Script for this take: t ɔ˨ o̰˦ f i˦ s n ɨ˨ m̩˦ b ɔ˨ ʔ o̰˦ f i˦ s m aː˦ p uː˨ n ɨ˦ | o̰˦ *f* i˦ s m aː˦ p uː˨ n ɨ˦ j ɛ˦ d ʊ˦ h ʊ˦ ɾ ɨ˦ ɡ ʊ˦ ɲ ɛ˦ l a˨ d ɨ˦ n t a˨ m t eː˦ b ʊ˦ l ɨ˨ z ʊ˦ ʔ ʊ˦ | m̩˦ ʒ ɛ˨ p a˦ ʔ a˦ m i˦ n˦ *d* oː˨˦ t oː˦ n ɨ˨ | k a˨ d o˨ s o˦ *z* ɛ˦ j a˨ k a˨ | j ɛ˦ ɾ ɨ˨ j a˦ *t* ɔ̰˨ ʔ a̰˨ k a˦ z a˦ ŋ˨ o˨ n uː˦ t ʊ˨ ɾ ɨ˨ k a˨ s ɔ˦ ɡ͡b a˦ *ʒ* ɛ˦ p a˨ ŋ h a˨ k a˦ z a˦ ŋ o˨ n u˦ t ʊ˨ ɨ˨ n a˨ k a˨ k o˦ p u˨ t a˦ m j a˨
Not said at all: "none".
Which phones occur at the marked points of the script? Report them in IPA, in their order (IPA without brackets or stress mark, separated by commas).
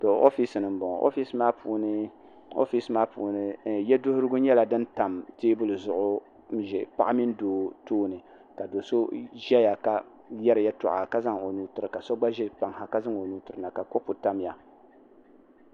f, d, ʒ, t, ʒ